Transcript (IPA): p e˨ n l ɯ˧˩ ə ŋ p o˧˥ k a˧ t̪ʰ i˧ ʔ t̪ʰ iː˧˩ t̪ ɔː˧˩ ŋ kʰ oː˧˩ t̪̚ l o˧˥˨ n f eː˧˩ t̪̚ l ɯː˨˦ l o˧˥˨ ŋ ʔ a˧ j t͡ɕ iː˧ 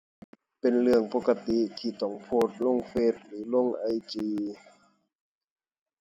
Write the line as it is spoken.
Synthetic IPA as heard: p e˨ n l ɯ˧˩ ə ŋ p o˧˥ k a˧ t̪ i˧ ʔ t̪ʰ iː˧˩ t̪ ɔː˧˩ ŋ pʰ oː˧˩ t̪̚ l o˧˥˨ ŋ f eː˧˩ t̪̚ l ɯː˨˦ l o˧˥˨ ŋ ʔ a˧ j t͡ɕ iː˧